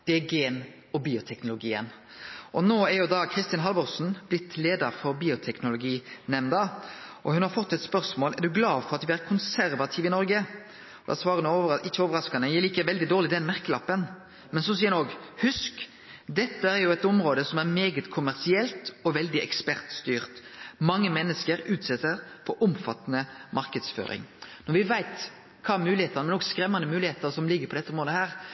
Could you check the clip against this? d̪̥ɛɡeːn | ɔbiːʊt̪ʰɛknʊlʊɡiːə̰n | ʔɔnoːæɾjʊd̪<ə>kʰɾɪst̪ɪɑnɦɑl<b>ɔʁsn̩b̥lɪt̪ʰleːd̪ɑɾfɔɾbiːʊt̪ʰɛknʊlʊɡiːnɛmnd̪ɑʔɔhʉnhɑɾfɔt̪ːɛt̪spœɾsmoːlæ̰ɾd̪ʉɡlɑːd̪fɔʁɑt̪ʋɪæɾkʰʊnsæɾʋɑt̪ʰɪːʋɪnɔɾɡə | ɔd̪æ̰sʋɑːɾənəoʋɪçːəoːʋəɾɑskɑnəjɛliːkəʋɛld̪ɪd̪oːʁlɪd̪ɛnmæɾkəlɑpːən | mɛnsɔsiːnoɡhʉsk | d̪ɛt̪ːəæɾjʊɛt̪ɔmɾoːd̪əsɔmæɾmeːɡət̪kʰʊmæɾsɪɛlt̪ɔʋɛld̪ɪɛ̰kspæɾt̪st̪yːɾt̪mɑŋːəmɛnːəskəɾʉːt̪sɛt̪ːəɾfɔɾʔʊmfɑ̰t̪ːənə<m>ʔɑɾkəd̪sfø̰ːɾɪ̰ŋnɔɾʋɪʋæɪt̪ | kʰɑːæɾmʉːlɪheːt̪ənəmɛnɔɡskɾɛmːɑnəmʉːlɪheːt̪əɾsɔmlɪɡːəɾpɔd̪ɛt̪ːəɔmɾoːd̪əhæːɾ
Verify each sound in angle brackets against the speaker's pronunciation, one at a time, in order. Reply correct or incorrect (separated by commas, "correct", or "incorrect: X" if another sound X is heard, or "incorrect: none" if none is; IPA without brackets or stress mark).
incorrect: ɑ, correct, correct